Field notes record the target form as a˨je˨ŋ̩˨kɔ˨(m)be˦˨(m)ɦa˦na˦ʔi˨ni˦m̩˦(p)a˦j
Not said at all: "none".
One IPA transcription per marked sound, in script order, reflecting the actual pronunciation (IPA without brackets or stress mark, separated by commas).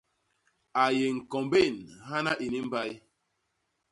m, n, b